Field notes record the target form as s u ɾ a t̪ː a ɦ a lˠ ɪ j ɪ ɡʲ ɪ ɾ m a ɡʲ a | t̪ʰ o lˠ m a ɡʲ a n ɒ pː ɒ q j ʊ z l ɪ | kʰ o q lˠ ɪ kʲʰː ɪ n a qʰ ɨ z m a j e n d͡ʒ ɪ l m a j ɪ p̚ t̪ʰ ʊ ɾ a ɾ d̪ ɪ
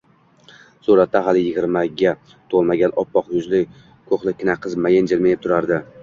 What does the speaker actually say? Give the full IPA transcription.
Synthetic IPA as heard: s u ɾ a t̪ː a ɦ a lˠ ɪ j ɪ ɡʲ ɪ ɾ m a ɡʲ a | t̪ʰ o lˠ m a ɡʲ a n ɒ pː ɒ q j ʊ z l ɪ | kʰ o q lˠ ɪ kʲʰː ɪ n a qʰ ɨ z m a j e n d͡ʒ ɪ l m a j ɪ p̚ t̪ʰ ʊ ɾ a ɾ d̪ ɪ